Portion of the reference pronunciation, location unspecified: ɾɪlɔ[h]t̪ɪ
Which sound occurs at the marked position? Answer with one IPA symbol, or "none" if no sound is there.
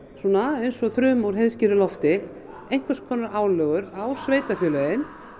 f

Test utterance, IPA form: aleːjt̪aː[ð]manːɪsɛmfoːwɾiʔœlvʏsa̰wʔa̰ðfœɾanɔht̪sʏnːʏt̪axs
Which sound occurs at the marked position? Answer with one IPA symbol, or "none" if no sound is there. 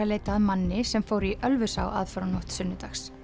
ð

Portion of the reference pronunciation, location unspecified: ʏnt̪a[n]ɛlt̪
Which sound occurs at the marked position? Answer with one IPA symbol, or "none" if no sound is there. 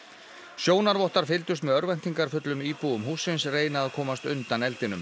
n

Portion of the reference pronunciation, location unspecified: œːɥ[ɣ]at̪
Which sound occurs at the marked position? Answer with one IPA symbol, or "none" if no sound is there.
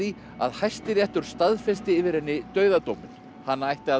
ð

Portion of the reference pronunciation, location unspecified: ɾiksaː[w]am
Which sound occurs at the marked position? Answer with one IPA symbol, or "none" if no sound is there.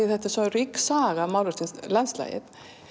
ɣ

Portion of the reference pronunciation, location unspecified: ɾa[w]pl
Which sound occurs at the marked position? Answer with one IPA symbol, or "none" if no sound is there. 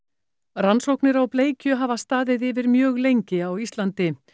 w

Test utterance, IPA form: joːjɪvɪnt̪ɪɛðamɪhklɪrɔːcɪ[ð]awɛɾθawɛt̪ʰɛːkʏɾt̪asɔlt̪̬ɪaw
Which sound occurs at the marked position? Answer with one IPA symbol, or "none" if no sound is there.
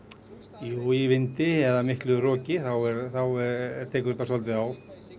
θ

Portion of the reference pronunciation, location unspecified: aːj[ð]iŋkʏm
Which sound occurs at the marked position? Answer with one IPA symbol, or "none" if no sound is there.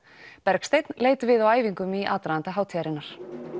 v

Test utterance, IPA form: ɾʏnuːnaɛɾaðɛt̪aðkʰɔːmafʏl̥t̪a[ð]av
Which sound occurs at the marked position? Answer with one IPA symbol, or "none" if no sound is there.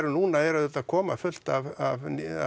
v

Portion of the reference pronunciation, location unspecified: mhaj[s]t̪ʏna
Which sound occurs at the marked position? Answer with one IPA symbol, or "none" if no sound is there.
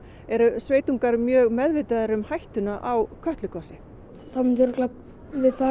h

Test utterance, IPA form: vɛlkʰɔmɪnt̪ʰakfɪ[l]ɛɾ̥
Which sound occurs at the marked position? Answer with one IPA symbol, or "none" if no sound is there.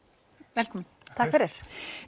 ɾ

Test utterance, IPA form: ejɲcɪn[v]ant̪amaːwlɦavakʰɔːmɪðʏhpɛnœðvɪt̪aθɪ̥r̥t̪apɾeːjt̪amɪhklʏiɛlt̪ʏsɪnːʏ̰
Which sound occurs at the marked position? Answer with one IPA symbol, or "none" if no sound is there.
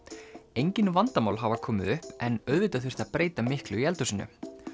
v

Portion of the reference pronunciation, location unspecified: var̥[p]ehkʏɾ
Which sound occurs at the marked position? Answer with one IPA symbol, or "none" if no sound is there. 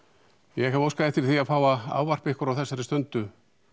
p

